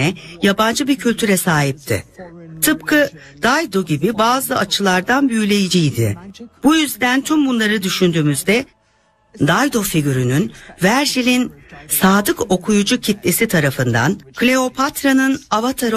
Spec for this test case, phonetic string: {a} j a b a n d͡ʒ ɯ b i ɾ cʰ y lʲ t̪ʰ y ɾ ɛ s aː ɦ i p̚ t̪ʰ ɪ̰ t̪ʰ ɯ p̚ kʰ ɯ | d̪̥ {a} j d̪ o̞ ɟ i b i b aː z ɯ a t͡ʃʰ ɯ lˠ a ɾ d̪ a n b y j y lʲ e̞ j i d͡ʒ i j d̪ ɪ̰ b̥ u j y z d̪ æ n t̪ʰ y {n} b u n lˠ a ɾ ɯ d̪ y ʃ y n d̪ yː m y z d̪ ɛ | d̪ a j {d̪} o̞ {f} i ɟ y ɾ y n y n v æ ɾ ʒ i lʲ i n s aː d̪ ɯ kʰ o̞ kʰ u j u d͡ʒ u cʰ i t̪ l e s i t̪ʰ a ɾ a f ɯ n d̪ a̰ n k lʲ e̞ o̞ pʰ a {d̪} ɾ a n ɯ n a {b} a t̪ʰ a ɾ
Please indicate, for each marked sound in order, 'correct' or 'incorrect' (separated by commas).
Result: incorrect, correct, incorrect, correct, correct, incorrect, incorrect